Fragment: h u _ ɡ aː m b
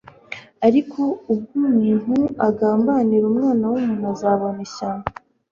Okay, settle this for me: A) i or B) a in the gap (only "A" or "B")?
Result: B